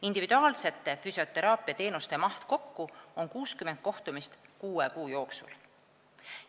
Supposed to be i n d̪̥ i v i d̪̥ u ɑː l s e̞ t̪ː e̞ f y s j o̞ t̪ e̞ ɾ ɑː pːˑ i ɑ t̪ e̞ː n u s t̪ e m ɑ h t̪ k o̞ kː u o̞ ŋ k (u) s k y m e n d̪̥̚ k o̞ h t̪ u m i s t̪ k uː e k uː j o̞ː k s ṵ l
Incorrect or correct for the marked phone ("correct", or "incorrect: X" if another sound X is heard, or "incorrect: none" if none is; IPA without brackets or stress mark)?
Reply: incorrect: uː